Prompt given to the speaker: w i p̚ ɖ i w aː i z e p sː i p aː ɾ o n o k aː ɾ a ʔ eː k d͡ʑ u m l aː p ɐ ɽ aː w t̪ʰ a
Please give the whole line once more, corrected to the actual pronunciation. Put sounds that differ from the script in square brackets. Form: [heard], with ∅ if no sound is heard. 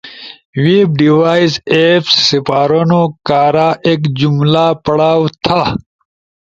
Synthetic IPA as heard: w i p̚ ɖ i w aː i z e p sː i p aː ɾ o n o k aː ɾ a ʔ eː k d͡ʑ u m l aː p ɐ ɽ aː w t̪ʰ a